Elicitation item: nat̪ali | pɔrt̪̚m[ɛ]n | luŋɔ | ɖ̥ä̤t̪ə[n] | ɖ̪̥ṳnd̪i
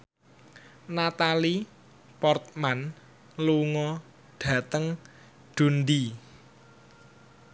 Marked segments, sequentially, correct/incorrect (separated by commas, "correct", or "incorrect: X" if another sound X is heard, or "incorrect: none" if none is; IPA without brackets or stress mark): incorrect: a, incorrect: ŋ